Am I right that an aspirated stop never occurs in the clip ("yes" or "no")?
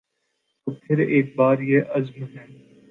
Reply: no